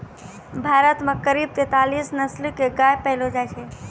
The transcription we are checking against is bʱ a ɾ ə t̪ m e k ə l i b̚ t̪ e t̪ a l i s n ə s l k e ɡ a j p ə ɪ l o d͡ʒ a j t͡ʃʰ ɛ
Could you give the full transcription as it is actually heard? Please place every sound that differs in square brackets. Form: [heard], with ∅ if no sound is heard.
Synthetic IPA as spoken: bʱ a ɾ ə t̪ m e k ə [ɾ] i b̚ t̪ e t̪ a l i s n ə s l k e ɡ a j p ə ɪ l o d͡ʒ a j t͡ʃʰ ɛ